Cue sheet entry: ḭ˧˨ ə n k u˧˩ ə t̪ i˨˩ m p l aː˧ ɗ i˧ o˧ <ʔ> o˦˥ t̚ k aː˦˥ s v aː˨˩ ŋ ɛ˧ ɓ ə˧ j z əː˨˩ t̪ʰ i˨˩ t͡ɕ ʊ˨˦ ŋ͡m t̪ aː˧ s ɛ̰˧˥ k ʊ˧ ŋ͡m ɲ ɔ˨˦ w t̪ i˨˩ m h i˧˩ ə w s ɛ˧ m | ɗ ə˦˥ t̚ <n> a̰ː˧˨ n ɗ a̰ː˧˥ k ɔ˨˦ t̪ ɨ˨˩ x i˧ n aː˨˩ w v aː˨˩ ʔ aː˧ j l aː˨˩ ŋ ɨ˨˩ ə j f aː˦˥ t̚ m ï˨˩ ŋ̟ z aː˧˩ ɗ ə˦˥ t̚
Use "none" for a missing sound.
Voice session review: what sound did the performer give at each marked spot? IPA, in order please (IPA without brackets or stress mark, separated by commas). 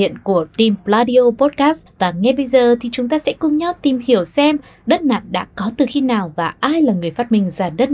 p, n